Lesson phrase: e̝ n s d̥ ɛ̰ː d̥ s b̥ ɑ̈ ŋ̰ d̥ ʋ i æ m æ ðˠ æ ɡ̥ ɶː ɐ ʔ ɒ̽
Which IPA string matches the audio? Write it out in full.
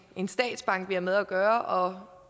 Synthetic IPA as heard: e̝ n s d̥ ɛ̰ː d̥ s b̥ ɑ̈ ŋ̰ ɡ̥ ʋ i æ m e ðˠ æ ɡ̥ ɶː ɐ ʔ ɒ̽